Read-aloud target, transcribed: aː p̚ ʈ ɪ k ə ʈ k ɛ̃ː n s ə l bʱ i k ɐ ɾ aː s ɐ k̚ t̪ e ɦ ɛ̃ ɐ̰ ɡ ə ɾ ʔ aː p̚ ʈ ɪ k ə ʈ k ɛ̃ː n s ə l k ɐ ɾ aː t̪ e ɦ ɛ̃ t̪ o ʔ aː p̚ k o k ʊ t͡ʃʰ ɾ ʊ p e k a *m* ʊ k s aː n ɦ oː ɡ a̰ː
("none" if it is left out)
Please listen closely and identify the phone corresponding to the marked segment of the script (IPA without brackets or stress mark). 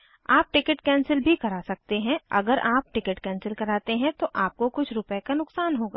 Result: n